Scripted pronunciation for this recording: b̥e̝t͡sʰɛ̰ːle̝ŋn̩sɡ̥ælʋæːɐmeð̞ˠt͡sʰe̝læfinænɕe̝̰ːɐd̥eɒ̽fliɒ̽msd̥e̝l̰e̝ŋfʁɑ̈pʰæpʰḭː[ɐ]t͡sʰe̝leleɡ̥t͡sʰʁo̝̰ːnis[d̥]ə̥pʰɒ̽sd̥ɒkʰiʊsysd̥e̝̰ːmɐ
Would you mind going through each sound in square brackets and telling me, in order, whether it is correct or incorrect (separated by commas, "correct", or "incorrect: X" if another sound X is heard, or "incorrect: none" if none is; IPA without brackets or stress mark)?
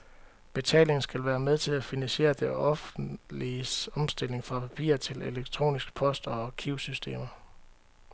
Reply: correct, incorrect: ɡ̥